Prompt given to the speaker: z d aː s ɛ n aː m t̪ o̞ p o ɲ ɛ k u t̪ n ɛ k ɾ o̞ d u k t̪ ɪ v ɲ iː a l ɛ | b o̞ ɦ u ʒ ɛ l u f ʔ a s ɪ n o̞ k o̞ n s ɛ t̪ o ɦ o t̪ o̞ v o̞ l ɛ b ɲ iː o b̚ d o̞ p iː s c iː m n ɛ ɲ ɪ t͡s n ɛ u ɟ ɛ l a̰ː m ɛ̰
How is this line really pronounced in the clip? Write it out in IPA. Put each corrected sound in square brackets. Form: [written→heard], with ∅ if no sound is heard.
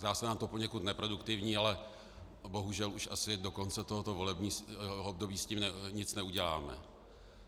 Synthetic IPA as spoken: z d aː s ɛ n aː m t̪ o̞ p o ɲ ɛ k u t̪ n ɛ [k→p] ɾ o̞ d u k t̪ ɪ v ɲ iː a l ɛ | b o̞ ɦ u ʒ ɛ l u [f→ʃ] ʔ a s ɪ [n→d] o̞ k o̞ n [s→t͡s] ɛ t̪ o ɦ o t̪ o̞ v o̞ l ɛ b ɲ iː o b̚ d o̞ [p→b] iː s c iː m n ɛ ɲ ɪ t͡s n ɛ u ɟ ɛ l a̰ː m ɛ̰